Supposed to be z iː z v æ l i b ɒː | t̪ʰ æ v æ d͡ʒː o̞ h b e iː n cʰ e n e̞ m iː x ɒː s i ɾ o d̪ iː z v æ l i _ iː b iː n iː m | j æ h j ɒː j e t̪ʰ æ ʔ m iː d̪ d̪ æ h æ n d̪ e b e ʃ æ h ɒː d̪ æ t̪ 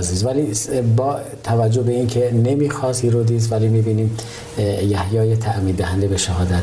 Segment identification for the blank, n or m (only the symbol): m